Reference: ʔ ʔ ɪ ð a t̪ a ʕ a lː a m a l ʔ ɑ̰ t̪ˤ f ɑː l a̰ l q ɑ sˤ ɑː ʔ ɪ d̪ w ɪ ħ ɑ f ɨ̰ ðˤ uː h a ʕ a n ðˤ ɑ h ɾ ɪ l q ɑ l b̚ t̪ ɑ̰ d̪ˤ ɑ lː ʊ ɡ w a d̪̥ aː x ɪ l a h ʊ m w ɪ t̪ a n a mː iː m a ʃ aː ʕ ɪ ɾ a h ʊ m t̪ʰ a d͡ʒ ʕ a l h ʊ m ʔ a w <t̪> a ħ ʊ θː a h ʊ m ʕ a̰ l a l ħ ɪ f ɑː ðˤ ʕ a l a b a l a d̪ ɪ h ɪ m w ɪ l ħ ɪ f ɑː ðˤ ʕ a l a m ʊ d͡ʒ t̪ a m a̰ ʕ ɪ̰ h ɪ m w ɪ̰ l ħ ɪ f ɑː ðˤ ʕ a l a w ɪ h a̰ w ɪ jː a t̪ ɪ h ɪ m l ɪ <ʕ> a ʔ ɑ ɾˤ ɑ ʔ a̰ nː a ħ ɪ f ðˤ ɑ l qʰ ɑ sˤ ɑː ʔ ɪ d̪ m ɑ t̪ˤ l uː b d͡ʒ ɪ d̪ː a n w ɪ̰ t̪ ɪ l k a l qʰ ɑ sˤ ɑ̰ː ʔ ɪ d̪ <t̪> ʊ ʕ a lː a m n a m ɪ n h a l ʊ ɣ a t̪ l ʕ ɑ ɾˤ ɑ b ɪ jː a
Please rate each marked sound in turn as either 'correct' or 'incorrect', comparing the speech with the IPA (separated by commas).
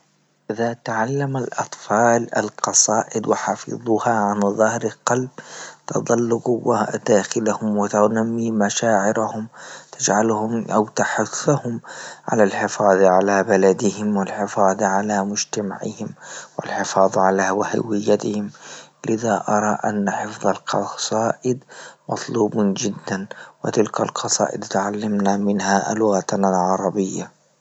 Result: correct, incorrect, correct